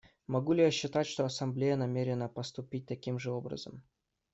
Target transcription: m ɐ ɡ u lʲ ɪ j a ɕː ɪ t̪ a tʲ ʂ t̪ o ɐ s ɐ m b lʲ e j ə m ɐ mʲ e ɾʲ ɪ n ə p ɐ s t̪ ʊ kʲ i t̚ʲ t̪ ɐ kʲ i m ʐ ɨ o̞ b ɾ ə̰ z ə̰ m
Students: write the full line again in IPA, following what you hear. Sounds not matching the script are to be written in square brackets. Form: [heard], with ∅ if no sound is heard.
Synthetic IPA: m ɐ ɡ u lʲ ɪ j a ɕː ɪ t̪ a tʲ ʂ t̪ o ɐ s ɐ m b lʲ e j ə [n] ɐ mʲ e ɾʲ ɪ n ə p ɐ s t̪ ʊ [pʲ] i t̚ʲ t̪ ɐ kʲ i m ʐ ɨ o̞ b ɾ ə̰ z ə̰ m

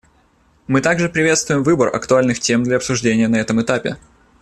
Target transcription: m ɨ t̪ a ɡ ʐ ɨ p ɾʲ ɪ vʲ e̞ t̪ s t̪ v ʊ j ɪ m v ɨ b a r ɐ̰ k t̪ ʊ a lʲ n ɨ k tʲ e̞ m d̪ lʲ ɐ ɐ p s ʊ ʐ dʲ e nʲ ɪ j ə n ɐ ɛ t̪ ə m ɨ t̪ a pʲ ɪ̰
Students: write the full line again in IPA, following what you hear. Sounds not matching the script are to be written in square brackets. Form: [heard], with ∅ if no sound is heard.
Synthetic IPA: m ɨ t̪ a ɡ ʐ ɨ p ɾʲ ɪ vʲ e̞ t̪ s t̪ v ʊ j ɪ m v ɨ b [ə] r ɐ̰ k t̪ ʊ a lʲ n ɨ [x] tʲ e̞ m d̪ lʲ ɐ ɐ p s ʊ ʐ dʲ e nʲ ɪ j ə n ɐ ɛ t̪ ə m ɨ t̪ a pʲ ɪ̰

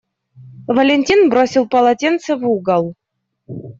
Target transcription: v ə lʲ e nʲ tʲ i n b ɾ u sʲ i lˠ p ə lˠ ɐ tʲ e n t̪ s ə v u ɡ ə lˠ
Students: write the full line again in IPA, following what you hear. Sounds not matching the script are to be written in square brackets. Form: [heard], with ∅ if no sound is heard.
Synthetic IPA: v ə lʲ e nʲ tʲ i n b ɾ [o] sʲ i lˠ p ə lˠ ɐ tʲ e n t̪ s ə v u ɡ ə lˠ

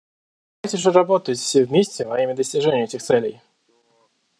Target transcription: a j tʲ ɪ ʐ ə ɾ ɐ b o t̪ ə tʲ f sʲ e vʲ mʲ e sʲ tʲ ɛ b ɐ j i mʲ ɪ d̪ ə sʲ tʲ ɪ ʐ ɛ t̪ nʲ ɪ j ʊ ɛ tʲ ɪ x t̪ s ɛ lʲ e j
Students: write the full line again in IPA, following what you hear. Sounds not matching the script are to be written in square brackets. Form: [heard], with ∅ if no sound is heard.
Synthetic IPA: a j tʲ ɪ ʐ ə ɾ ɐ b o t̪ ə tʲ f sʲ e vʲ mʲ e sʲ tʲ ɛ [v] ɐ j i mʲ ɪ d̪ ə sʲ tʲ ɪ ʐ ɛ [∅] nʲ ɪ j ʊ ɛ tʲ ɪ x t̪ s ɛ lʲ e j

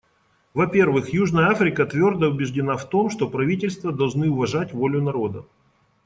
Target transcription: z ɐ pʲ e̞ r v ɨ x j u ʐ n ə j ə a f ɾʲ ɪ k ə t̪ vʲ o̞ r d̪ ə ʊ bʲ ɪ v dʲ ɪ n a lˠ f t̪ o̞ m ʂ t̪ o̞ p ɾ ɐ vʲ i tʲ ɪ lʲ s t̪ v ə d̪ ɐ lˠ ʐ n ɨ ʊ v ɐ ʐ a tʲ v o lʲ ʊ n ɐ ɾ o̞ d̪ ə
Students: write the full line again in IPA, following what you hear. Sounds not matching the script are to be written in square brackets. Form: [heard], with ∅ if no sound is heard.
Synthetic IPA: [v] ɐ pʲ e̞ r v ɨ x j u ʐ n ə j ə a f ɾʲ ɪ k ə t̪ vʲ o̞ r d̪ ə ʊ bʲ ɪ [ʐ] dʲ ɪ n a [∅] f t̪ o̞ m ʂ t̪ o̞ p ɾ ɐ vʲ i tʲ ɪ lʲ s t̪ v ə d̪ ɐ lˠ ʐ n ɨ ʊ v ɐ ʐ a tʲ v o lʲ ʊ n ɐ ɾ o̞ d̪ ə

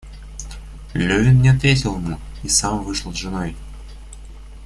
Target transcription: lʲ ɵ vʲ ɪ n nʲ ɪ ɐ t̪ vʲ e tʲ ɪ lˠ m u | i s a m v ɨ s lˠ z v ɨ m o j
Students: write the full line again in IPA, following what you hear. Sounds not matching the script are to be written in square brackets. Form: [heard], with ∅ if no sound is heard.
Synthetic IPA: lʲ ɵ vʲ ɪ n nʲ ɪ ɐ t̪ vʲ e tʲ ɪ lˠ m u | i s a m v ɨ [ʂ] lˠ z [ʐ] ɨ [n] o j

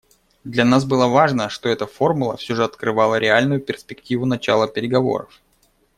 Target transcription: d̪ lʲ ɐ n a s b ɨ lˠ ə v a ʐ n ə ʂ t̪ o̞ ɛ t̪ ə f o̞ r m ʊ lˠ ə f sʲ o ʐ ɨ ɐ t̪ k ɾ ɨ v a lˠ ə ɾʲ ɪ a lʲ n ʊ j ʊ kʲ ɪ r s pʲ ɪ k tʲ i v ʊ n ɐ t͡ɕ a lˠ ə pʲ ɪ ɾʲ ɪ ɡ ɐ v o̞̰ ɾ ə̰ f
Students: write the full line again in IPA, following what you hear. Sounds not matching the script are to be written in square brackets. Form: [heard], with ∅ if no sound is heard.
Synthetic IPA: d̪ lʲ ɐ n a s b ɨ lˠ ə v a ʐ n ə ʂ t̪ o̞ ɛ t̪ ə f o̞ r m ʊ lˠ ə f sʲ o ʐ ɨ ɐ t̪ k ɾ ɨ v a lˠ ə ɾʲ ɪ a lʲ n ʊ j ʊ [pʲ] ɪ r s pʲ ɪ k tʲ i v ʊ n ɐ t͡ɕ a lˠ ə pʲ ɪ ɾʲ ɪ ɡ ɐ v o̞̰ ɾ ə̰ f

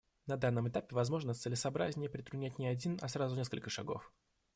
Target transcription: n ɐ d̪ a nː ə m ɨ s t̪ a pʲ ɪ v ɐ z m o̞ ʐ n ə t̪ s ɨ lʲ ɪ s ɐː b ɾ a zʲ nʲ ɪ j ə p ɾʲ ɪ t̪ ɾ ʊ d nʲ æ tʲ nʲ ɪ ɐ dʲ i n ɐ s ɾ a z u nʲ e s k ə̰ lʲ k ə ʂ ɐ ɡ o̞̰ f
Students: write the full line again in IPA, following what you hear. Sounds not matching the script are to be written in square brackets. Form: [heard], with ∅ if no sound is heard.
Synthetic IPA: n ɐ d̪ a nː ə m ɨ [∅] t̪ a pʲ ɪ v ɐ z m o̞ ʐ n ə t̪ s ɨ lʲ ɪ s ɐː b ɾ a zʲ nʲ ɪ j ə p ɾʲ ɪ t̪ ɾ ʊ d nʲ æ tʲ nʲ ɪ ɐ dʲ i n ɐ s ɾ a z [ʊ] nʲ e s k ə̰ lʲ k ə ʂ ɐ ɡ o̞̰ f

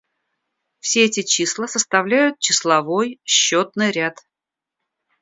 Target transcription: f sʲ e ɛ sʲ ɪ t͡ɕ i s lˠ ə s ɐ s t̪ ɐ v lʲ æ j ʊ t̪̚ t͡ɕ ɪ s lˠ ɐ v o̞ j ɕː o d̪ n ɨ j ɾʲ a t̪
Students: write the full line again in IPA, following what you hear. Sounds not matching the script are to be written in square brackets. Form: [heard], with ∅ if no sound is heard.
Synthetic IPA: f sʲ e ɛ [tʲ] ɪ t͡ɕ i s lˠ ə s [ə] s t̪ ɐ v lʲ æ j ʊ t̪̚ t͡ɕ ɪ s lˠ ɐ v o̞ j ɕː o [t̪] n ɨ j ɾʲ a t̪

